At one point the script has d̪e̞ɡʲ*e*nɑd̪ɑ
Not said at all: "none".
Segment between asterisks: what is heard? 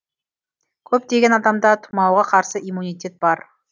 e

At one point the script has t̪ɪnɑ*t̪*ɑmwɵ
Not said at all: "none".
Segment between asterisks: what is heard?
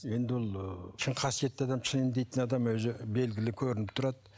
d̪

